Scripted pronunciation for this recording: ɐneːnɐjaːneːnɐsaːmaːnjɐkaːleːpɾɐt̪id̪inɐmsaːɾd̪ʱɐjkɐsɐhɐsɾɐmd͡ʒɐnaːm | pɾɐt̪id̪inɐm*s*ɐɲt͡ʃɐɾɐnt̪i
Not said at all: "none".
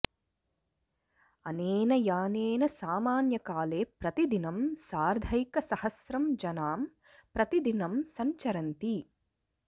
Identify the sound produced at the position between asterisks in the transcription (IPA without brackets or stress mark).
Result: s